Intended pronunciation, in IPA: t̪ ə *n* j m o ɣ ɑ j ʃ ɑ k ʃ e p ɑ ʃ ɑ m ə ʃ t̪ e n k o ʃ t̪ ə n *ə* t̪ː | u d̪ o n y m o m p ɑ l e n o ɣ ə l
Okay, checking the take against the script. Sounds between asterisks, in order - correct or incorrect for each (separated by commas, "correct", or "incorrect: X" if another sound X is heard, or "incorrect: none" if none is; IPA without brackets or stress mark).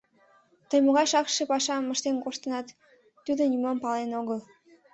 incorrect: none, incorrect: ɑ